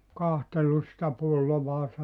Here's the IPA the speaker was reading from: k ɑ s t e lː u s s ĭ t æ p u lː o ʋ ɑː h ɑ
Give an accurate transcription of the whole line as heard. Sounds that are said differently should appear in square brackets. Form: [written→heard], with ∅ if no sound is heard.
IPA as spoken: k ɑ [s→h] t e lː u s s ĭ t æ p u lː o ʋ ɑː [h→s] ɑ